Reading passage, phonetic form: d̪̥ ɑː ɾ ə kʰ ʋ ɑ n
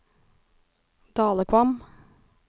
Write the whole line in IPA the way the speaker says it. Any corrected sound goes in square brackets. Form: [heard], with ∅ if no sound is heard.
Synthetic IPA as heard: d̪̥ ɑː [l] ə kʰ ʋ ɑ [m]